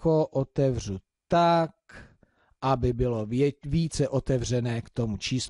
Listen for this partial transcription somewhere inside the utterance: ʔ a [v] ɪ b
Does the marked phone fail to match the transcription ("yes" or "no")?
yes